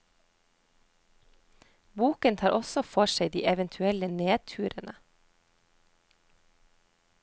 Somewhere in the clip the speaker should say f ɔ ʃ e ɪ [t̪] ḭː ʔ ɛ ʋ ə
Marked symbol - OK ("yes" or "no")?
no